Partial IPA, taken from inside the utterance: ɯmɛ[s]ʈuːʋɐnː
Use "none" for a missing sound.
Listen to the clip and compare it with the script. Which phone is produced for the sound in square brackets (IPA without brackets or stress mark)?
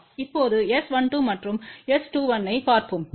s